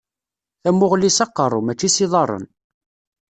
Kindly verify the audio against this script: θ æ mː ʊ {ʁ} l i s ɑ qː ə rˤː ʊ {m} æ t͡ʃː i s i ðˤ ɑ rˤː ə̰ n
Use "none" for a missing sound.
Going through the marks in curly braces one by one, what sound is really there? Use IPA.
ʁ, m

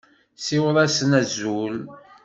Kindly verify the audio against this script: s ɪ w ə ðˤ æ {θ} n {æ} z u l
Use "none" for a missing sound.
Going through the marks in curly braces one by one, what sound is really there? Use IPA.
s, æ

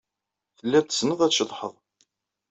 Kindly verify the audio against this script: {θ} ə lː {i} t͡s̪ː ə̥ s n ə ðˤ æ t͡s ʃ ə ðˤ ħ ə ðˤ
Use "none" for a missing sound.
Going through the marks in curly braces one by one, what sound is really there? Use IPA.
θ, æ

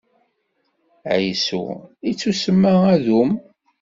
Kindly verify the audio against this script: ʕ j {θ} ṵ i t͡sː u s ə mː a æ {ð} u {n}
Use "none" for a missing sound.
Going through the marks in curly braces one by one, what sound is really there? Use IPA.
s, ð, m

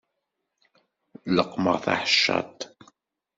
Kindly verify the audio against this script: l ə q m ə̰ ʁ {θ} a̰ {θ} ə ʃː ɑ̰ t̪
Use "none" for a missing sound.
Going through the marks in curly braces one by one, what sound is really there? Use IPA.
θ, ħ

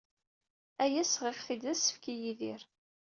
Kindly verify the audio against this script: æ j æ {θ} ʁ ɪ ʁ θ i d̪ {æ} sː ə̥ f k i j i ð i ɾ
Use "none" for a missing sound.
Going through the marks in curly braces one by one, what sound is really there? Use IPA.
s, æ

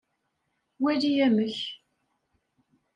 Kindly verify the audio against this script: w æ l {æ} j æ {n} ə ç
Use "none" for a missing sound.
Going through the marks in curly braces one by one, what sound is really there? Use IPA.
i, m

